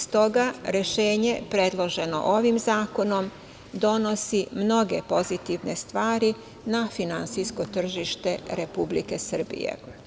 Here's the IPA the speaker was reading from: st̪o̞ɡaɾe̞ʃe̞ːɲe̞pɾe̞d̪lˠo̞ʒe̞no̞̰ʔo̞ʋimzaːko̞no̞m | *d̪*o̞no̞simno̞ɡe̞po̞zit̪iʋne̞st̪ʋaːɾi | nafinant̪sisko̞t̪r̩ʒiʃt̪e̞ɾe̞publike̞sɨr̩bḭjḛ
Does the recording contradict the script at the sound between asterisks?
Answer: no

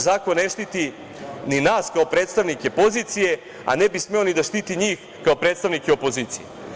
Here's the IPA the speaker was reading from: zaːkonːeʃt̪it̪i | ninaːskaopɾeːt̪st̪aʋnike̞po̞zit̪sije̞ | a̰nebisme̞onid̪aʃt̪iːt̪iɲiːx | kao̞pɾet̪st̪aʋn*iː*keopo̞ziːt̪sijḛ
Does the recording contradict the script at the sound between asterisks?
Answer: yes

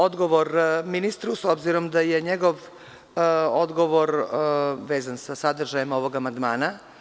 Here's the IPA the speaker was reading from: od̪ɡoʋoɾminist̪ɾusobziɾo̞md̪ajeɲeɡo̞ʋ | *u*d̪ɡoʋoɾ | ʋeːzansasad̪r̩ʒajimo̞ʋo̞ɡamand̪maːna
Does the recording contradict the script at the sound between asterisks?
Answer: yes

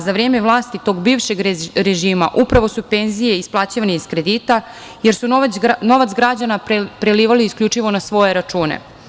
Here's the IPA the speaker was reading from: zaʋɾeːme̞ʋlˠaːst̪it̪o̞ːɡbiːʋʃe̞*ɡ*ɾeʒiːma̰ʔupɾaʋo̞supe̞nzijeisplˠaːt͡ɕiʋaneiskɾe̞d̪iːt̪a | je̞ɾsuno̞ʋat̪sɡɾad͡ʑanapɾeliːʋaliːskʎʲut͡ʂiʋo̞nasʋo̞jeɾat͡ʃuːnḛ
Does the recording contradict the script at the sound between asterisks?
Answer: no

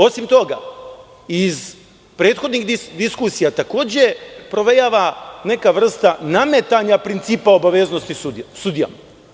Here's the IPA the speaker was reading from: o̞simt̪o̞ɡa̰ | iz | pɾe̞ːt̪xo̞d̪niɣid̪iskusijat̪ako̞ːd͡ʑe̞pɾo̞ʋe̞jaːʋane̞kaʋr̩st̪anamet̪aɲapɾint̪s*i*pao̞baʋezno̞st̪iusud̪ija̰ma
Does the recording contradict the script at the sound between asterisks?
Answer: yes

